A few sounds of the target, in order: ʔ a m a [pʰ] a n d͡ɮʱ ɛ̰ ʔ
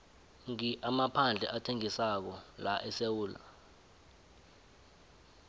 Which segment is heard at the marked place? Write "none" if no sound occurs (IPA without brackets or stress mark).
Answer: pʰ